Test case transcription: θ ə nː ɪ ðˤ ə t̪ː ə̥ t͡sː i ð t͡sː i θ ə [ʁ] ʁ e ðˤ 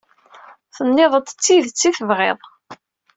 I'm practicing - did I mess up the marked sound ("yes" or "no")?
yes